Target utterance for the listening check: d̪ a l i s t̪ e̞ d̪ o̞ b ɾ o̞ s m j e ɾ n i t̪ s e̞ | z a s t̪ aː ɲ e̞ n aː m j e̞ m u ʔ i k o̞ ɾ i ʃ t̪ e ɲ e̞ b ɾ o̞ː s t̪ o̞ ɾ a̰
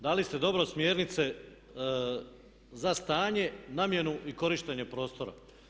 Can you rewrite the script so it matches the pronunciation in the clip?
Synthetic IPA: d̪ a l i s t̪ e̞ d̪ o̞ b ɾ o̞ s m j e ɾ n i t̪ s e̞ | z a s t̪ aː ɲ e̞ n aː m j e̞ n u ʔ i k o̞ ɾ i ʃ t̪ e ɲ e̞ p ɾ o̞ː s t̪ o̞ ɾ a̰